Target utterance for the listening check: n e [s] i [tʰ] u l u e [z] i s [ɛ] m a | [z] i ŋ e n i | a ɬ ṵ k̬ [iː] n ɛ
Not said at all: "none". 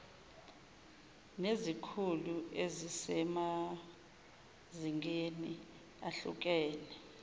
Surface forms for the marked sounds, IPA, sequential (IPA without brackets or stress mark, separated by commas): z, kʰ, z, ɛ, z, ɛː